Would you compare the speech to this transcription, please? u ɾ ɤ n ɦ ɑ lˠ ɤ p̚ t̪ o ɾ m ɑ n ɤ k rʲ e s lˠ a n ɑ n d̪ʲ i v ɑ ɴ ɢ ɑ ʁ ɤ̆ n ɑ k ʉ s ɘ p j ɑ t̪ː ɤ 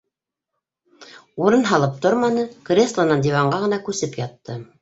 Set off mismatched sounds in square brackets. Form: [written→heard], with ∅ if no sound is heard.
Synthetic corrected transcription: u ɾ ɤ n ɦ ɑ lˠ ɤ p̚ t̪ o ɾ m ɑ n ɤ k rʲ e s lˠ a n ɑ n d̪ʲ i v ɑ ɴ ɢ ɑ ʁ ɤ̆ n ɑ k ʉ s ɘ p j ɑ t̪ː ɤ

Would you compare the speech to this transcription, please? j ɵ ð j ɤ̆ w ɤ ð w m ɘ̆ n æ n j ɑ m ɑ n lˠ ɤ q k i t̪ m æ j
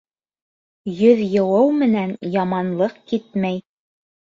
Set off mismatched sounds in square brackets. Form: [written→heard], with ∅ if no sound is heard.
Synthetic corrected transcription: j ɵ ð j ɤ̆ w ɤ [ð→∅] w m ɘ̆ n æ n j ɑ m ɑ n lˠ ɤ q k i t̪ m æ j

